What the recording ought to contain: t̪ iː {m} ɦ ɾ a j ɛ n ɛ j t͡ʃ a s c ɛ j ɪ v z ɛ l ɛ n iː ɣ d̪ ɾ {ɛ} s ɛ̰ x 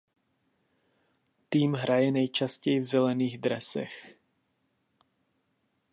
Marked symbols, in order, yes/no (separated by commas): yes, yes